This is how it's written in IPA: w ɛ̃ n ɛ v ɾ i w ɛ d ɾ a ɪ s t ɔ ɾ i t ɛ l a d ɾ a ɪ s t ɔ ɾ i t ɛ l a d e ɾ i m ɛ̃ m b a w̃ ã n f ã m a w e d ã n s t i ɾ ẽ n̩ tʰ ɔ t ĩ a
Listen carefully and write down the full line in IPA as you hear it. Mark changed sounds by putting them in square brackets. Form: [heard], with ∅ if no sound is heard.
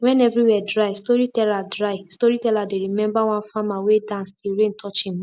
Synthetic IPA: w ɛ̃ n ɛ v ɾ i w ɛ d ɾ a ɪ s t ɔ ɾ i t ɛ l a d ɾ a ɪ s t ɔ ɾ i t ɛ l a d e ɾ i m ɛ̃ m b a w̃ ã n f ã m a w e d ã n s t i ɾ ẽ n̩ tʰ ɔ [t͡ʃ] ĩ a